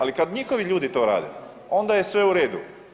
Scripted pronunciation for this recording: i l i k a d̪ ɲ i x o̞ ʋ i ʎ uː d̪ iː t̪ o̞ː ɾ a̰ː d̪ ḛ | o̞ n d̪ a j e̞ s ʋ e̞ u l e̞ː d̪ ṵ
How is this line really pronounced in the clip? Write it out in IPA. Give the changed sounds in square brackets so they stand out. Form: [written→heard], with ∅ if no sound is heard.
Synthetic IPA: [i→a] l i k a d̪ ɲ i x o̞ ʋ i ʎ uː d̪ [iː→i] t̪ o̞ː ɾ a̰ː d̪ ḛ | o̞ n d̪ a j e̞ s ʋ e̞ u [l→ɾ] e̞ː d̪ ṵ